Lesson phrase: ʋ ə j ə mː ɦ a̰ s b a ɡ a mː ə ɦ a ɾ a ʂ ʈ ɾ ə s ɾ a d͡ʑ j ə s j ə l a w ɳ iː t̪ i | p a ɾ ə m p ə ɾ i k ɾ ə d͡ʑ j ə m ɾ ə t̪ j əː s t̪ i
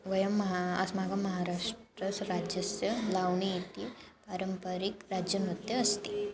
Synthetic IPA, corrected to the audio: ʋ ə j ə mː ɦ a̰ s m a ɡ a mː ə ɦ a ɾ a ʂ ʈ ɾ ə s ɾ a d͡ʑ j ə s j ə l a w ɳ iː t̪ i | p a ɾ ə m p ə ɾ i k ɾ a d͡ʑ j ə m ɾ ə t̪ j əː s t̪ i